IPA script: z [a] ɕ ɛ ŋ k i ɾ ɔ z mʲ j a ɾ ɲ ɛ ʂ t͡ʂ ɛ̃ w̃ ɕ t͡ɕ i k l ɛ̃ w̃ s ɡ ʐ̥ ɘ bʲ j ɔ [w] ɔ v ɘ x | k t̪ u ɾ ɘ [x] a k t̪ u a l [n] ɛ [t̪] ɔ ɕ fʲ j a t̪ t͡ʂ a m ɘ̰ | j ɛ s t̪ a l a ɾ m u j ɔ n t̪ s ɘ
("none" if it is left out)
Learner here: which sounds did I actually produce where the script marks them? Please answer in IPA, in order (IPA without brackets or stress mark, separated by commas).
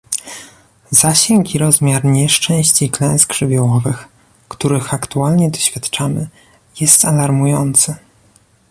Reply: a, w, x, ɲ, d̪